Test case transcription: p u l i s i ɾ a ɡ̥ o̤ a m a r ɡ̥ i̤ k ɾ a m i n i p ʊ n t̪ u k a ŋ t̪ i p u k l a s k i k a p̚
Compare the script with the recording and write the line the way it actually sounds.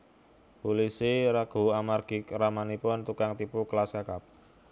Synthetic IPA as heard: p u l i s i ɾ a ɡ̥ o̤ a m a r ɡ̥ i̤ k ɾ a m a n i p ʊ n t̪ u k a ŋ t̪ i p u k l a s k a k a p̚